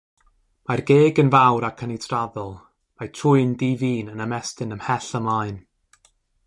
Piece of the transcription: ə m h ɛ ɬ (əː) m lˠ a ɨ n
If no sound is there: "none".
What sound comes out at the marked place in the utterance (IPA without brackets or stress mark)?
ə